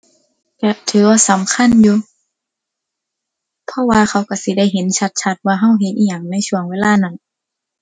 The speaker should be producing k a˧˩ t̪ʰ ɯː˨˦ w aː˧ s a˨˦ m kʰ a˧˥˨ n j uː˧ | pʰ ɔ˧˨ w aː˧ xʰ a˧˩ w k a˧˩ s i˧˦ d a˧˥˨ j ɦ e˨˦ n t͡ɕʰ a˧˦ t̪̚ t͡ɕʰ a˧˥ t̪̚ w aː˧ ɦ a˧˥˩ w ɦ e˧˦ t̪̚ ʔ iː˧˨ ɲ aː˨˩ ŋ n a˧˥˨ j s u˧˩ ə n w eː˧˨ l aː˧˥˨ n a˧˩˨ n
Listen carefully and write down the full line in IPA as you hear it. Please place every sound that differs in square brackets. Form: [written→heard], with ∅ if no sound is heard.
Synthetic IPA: k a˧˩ t̪ʰ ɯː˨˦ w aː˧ s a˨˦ m kʰ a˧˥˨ n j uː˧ | pʰ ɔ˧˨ w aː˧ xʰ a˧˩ w k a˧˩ s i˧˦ d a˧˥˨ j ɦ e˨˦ n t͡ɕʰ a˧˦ t̪̚ t͡ɕʰ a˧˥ t̪̚ w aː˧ ɦ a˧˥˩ w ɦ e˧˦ t̪̚ ʔ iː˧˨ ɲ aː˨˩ ŋ n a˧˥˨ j s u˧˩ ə [n→ŋ] w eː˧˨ l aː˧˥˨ n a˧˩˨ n

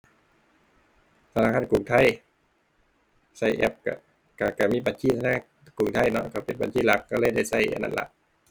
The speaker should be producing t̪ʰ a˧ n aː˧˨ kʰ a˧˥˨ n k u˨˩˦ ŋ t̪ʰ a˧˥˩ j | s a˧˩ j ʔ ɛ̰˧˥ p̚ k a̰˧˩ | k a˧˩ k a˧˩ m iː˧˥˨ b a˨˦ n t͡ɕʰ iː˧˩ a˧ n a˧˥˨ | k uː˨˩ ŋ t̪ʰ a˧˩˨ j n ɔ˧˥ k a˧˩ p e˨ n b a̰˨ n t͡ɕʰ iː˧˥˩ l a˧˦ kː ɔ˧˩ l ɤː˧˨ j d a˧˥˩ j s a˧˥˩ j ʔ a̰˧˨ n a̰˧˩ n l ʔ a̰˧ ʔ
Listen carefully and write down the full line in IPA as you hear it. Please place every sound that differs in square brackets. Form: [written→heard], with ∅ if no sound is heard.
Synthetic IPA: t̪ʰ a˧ n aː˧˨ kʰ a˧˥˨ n k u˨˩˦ ŋ t̪ʰ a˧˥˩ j | s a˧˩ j ʔ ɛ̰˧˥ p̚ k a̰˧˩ | k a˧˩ k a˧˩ m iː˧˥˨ b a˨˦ n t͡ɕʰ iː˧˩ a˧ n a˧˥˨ | k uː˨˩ ŋ t̪ʰ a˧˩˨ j n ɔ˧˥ k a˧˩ p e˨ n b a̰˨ n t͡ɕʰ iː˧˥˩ l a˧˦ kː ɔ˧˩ l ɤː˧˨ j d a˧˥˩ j s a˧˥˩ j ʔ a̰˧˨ n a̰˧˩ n l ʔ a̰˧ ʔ

